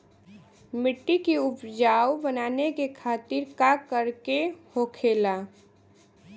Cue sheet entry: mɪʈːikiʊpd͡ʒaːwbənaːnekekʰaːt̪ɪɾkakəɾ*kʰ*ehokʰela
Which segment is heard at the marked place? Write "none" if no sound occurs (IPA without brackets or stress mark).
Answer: k